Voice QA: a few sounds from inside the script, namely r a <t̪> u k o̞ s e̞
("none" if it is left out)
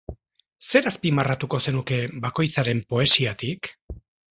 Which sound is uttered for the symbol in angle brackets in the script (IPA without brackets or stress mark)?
t̪